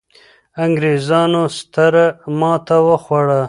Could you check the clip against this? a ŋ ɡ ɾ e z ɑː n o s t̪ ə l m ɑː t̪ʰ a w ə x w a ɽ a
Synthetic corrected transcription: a ŋ ɡ ɾ e z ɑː n o s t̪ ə ɾ m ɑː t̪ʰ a w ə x w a ɽ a

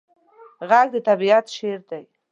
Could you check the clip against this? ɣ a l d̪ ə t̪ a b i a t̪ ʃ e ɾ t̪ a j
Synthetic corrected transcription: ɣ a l d̪ ə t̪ a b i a t̪ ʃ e ɾ d̪ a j

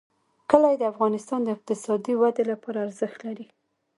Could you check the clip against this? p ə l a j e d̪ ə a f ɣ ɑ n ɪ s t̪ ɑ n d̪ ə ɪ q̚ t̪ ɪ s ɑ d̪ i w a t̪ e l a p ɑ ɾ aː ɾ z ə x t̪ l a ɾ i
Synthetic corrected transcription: k ə l a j e d̪ ə a f ɣ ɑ n ɪ s t̪ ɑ n d̪ ə ɪ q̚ t̪ ɪ s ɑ d̪ i w a d̪ e l a p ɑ ɾ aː ɾ z ə x t̪ l a ɾ i

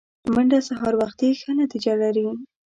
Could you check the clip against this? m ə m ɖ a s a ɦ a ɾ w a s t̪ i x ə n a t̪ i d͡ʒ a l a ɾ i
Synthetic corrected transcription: m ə ɳ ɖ a s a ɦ ɑ ɾ w a x t̪ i x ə n a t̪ i d͡ʒ a l a ɾ i

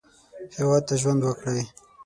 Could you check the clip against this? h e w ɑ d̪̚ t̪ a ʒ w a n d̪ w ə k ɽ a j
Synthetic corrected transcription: h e w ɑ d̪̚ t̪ a ʒ w a n d̪ w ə k ɽ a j

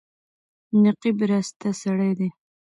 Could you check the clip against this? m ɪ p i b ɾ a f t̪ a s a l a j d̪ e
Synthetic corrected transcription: n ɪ q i b ɾ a s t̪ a s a ɽ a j d̪ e

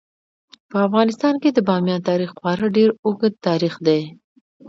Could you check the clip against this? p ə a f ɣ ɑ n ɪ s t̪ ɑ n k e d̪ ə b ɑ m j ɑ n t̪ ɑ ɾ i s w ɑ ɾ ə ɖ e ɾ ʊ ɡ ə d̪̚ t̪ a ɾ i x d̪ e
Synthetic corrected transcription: p ə a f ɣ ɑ n ɪ s t̪ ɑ n k e d̪ ə b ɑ m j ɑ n t̪ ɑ ɾ i x w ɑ ɾ ə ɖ e ɾ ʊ ɡ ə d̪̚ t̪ ɑ ɾ i x d̪ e

